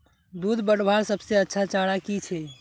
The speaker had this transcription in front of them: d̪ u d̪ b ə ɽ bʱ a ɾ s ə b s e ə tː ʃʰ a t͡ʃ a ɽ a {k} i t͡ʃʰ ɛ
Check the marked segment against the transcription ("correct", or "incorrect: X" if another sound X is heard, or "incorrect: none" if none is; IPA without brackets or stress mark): correct